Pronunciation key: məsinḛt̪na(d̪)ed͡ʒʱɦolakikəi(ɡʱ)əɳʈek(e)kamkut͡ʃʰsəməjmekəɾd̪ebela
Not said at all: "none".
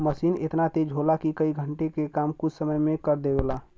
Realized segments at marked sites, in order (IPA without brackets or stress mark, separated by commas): t̪, ɡʱ, e